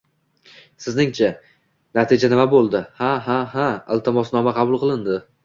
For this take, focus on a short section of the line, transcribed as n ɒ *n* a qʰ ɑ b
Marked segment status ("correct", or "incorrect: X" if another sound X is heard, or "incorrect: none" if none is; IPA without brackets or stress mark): incorrect: m